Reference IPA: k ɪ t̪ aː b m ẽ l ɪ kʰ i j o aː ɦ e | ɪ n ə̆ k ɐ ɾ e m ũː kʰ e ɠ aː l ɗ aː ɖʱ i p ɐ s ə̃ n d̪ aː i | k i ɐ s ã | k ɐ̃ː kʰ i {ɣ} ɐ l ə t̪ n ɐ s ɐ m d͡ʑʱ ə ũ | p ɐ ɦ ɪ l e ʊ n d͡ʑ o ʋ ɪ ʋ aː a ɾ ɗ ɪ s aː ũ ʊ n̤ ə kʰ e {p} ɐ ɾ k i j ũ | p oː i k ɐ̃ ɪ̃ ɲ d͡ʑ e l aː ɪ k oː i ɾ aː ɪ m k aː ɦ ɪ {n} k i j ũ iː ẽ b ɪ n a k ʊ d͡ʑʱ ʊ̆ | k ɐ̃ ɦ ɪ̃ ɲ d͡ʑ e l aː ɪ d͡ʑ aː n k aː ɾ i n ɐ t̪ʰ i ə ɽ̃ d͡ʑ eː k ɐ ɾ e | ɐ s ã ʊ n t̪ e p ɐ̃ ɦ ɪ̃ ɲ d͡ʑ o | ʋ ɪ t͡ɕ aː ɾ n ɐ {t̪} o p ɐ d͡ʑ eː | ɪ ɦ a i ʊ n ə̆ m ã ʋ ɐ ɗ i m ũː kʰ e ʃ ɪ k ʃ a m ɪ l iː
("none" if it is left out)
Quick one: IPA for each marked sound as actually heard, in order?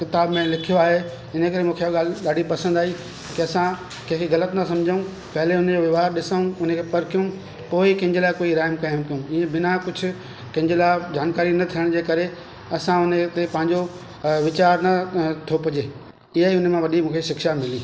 ɣ, p, m, t̪ʰ

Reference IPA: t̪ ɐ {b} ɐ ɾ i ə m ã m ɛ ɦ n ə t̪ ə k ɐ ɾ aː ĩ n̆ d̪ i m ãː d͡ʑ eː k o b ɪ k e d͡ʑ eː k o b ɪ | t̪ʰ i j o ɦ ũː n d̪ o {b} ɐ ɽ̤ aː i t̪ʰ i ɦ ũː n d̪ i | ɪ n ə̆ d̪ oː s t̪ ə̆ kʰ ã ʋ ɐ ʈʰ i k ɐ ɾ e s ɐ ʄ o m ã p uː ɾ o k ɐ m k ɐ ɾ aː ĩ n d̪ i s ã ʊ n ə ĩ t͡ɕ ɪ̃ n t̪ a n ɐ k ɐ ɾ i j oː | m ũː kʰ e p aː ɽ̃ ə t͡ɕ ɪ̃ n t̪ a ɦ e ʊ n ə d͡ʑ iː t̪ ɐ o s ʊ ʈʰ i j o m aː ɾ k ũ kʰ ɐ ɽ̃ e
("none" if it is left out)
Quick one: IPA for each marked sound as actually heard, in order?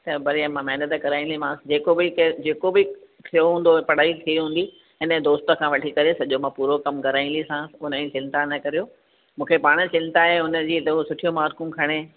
b, p

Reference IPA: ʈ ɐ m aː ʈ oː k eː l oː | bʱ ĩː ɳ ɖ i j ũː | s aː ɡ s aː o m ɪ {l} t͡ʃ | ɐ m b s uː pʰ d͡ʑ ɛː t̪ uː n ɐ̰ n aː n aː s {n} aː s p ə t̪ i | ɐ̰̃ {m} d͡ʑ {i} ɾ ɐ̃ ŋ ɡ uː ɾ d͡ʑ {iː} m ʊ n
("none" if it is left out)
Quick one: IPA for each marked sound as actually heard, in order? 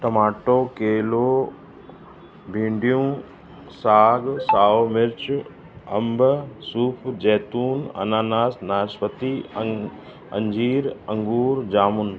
ɾ, n, ɲ, iː, aː

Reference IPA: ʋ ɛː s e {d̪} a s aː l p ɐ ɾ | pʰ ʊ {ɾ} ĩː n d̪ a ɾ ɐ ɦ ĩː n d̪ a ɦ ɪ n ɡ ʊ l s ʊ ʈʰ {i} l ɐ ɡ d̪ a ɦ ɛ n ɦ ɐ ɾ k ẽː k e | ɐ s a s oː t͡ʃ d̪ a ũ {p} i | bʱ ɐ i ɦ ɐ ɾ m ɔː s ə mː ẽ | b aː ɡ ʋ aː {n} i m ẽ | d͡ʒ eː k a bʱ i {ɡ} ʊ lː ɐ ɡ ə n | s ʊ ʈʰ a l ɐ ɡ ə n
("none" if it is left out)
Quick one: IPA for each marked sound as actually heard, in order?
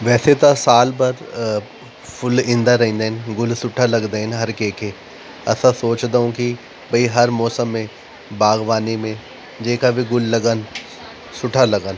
t̪, l, a, k, n, ɡ

